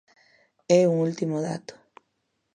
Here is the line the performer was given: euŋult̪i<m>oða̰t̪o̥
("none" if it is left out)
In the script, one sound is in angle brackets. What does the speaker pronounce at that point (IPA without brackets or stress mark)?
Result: m